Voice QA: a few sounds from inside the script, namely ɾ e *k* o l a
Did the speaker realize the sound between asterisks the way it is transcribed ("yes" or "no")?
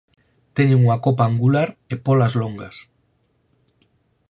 no